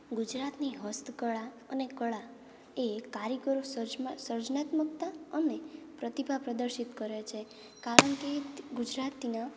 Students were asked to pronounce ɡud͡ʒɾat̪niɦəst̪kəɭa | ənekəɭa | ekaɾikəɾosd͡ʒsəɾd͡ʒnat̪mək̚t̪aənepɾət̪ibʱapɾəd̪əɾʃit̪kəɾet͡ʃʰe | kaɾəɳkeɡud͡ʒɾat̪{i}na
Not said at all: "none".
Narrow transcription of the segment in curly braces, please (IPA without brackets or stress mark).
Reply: i